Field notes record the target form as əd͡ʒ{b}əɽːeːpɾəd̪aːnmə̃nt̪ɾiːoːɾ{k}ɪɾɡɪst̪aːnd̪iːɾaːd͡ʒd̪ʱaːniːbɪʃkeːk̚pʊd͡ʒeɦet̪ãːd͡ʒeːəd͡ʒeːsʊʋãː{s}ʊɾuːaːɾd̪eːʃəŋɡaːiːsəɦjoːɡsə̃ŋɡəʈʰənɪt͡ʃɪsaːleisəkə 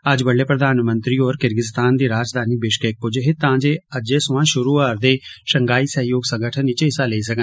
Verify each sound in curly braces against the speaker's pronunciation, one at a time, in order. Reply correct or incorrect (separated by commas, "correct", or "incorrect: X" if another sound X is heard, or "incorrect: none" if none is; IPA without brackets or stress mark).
correct, correct, incorrect: ʃ